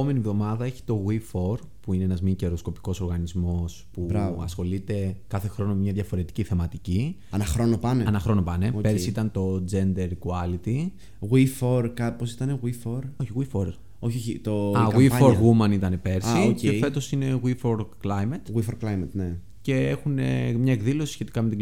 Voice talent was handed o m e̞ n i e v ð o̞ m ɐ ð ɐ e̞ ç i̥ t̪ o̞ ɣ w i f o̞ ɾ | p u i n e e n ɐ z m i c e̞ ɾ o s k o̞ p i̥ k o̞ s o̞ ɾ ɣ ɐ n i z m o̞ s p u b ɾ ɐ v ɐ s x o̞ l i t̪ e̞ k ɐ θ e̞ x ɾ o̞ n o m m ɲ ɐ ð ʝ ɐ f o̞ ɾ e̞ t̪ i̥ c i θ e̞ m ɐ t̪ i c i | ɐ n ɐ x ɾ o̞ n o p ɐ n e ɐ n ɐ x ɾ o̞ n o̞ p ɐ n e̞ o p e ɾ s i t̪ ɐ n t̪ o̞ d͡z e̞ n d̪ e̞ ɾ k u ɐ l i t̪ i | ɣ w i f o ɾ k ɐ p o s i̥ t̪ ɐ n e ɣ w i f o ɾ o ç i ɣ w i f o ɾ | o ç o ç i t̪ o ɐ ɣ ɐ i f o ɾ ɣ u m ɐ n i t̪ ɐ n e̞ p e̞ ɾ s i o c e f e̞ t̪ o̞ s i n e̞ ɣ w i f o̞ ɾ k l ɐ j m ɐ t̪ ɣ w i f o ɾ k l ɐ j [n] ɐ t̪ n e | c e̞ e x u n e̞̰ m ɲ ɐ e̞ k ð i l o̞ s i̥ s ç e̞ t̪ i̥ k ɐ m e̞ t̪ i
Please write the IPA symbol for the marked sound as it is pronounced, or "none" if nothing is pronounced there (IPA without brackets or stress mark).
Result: m